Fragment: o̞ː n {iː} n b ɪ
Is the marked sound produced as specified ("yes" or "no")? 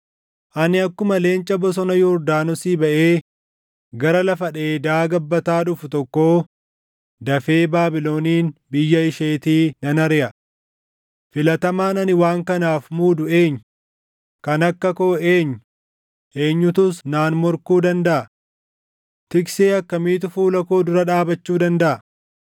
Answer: yes